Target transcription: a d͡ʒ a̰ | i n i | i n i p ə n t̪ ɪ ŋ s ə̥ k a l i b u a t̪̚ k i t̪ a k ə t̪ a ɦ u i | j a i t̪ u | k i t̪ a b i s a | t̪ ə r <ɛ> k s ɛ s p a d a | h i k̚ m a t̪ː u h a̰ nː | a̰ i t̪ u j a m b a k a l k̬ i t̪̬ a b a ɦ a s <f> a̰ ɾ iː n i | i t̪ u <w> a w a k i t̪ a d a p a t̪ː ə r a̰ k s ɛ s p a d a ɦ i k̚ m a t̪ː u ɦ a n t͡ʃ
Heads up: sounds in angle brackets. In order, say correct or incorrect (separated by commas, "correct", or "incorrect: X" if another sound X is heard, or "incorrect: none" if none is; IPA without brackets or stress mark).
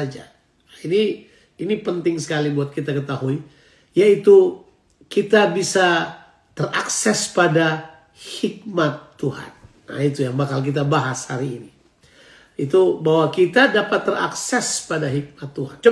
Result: incorrect: a, incorrect: h, incorrect: b